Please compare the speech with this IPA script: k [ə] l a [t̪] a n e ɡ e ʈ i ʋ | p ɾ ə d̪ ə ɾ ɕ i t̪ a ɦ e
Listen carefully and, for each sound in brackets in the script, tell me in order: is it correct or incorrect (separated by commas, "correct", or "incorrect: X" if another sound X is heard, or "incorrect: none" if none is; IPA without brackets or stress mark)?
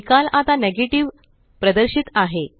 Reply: incorrect: a, correct